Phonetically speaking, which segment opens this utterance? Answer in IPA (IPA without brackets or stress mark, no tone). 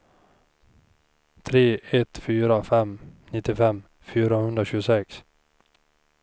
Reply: t̪ʰ